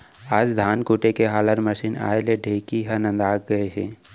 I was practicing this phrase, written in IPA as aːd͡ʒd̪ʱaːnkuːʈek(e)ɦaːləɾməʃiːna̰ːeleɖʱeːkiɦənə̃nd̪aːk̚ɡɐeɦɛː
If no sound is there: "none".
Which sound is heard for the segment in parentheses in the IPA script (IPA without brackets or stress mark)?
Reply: e